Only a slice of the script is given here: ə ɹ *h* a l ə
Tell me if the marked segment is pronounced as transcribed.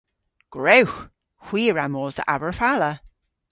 no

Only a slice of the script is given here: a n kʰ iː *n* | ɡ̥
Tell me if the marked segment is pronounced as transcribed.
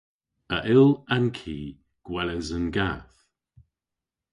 no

